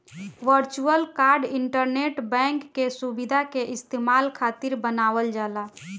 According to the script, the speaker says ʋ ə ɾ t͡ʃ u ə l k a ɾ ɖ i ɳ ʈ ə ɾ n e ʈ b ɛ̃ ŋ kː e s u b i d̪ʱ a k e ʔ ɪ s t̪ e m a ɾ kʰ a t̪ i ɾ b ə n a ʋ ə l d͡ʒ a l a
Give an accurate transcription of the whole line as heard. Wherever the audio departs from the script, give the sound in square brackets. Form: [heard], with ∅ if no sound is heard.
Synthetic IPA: ʋ ə ɾ t͡ʃ u ə l k a ɾ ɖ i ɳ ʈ ə ɾ n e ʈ b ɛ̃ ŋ kː e s u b i d̪ʱ a k e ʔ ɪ s t̪ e m a [l] kʰ a t̪ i ɾ b ə n a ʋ ə l d͡ʒ a l a